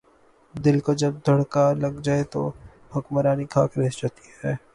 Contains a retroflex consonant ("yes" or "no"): yes